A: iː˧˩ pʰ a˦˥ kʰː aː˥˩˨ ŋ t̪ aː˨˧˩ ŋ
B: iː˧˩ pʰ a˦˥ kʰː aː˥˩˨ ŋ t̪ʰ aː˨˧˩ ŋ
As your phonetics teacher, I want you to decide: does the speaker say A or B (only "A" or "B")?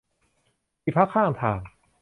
B